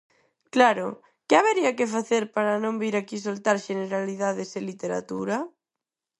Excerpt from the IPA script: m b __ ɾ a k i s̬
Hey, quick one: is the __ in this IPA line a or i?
i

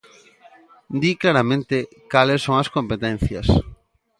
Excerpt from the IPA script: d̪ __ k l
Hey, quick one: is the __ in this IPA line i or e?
i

